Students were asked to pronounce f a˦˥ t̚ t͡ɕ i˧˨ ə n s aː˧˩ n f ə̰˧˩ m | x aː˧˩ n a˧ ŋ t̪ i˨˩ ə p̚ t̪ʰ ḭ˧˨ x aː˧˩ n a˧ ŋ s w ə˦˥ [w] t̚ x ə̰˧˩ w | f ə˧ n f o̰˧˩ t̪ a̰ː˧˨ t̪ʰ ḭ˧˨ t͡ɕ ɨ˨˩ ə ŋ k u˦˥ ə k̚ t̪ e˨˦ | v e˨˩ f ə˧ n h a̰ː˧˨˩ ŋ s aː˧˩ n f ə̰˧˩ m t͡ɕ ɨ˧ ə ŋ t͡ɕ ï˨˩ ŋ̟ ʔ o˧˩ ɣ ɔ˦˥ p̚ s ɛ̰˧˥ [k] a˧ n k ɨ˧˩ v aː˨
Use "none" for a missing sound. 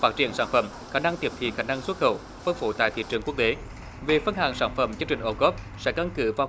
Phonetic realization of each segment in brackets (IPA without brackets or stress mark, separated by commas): none, k